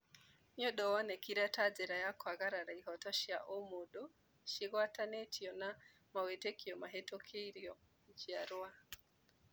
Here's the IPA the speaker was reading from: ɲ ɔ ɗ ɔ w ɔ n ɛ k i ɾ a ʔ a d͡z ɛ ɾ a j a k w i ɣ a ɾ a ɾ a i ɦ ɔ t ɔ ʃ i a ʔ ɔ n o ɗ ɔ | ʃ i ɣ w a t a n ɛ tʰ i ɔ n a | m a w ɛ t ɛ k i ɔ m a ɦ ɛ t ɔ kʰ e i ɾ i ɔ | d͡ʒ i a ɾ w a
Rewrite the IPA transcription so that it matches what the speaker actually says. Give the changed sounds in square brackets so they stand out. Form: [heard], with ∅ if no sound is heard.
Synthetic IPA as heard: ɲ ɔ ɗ ɔ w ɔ n ɛ k i ɾ a [t] a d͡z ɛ ɾ a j a k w [a] ɣ a ɾ a ɾ a i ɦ ɔ t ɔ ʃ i a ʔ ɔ [m] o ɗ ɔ | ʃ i ɣ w a t a n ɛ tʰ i ɔ n a | m a w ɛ t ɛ k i ɔ m a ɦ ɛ t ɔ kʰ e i ɾ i ɔ | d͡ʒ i a ɾ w a

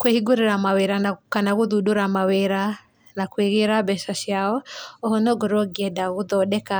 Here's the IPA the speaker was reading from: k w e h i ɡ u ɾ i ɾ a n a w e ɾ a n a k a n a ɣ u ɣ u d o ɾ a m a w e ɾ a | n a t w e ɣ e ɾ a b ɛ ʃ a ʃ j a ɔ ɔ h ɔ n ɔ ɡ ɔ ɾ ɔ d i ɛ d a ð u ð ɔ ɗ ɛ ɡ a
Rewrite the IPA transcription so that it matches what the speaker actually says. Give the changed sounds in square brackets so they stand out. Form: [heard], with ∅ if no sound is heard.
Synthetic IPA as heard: k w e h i ɡ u ɾ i ɾ a [m] a w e ɾ a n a k a n a ɣ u [ð] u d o ɾ a m a w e ɾ a | n a [k] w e ɣ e ɾ a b ɛ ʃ a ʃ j a ɔ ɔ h ɔ n ɔ ɡ ɔ ɾ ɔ [ɡ] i ɛ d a [ɣ] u ð ɔ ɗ ɛ [k] a

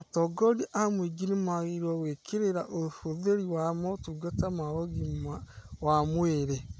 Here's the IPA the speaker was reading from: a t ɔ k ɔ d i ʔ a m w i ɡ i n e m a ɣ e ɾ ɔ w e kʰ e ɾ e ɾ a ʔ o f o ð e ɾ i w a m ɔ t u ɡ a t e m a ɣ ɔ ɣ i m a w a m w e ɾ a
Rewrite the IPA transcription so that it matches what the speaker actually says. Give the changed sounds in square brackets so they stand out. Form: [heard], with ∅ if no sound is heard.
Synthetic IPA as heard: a t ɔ [ɡ] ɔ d i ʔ a m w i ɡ i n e m a ɣ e ɾ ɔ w e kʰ e ɾ e ɾ a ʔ o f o ð e ɾ i w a m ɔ t u ɡ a t [a] m a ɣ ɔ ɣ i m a w a m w e ɾ [e]

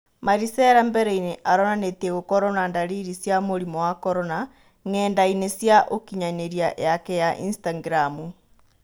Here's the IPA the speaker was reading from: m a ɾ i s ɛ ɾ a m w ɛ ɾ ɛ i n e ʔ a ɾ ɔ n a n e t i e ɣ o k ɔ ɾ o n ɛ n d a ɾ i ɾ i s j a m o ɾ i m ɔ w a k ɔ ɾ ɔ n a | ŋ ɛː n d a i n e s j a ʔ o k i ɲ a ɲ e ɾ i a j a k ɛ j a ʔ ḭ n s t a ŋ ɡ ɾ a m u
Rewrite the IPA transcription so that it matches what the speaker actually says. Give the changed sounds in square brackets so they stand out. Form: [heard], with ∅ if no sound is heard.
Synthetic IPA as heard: m a ɾ i s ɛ ɾ a m [b] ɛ ɾ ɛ i n e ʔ a ɾ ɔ n a n e t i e ɣ o k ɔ ɾ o n [a] n d a ɾ i ɾ i s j a m o ɾ i m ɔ w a k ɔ ɾ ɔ n a | ŋ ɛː n d a i n e s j a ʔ o k i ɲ a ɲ e ɾ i a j a k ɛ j a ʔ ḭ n s t a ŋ ɡ ɾ a m u

